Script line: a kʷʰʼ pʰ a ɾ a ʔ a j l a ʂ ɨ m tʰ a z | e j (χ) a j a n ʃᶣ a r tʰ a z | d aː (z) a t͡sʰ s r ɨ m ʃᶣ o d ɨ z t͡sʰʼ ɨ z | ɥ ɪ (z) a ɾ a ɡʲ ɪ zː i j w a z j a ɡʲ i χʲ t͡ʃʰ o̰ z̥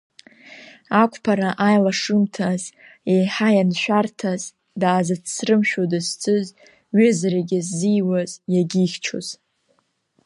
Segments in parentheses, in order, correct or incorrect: incorrect, correct, correct

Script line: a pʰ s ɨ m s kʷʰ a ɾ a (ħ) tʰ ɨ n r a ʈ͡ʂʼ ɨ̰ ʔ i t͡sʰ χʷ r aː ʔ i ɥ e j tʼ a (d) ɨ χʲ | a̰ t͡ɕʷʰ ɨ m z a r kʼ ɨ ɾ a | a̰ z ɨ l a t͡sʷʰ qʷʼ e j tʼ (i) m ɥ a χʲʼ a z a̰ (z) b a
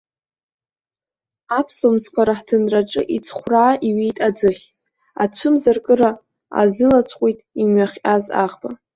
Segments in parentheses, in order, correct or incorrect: correct, incorrect, correct, incorrect

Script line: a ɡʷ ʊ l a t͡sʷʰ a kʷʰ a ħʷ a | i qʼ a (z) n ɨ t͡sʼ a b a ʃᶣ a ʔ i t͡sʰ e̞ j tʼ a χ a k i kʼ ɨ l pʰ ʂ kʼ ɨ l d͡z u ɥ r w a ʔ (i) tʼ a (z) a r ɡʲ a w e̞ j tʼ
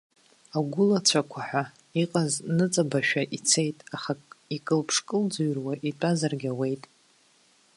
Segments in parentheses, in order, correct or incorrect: correct, correct, correct

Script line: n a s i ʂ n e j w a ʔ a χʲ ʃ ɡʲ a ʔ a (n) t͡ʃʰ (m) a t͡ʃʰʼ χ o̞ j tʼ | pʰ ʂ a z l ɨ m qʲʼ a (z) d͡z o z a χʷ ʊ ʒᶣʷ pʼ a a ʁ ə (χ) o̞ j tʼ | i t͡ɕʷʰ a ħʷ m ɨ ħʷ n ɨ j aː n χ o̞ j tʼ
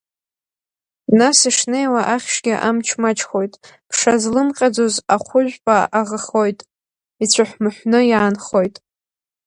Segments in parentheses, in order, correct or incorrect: incorrect, correct, incorrect, correct

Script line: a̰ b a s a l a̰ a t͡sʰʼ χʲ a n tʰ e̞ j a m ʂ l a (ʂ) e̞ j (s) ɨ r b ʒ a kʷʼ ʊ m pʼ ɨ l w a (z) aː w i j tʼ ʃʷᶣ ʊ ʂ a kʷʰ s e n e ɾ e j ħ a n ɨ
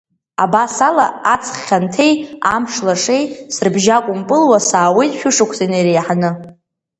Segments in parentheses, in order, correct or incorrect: correct, correct, incorrect

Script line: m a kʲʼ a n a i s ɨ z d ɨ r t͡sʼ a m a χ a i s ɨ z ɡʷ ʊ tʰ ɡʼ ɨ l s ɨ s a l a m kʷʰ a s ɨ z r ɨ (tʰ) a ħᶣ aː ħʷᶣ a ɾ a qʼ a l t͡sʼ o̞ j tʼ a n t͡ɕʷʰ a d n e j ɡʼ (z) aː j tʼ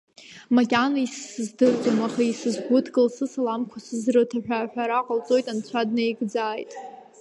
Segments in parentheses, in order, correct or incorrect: correct, incorrect

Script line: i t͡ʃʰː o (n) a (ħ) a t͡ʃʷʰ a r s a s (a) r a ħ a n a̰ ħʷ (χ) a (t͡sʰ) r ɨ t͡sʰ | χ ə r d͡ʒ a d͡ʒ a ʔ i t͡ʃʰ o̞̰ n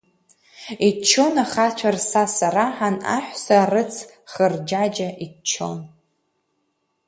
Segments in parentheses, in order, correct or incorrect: correct, incorrect, correct, incorrect, incorrect

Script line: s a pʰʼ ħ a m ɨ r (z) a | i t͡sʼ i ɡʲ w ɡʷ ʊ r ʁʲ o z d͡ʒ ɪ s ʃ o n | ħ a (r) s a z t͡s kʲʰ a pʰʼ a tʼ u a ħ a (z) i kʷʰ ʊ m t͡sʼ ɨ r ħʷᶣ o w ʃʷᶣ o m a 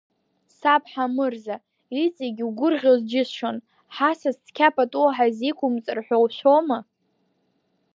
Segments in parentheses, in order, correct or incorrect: correct, incorrect, correct

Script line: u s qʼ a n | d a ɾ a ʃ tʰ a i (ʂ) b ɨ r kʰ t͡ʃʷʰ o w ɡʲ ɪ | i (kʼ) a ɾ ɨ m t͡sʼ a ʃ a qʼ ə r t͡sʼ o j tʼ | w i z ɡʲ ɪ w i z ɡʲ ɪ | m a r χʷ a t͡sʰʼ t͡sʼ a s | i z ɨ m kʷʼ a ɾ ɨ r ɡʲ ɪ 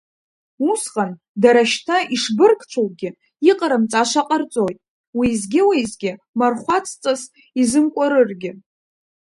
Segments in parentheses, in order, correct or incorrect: correct, incorrect

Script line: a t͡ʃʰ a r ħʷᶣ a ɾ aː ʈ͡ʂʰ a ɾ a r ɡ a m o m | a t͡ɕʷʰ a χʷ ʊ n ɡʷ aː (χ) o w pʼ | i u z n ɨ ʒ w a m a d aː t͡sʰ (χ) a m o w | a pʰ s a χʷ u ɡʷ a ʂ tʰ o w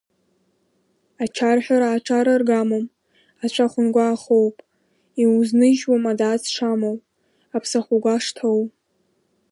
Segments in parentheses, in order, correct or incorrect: correct, incorrect

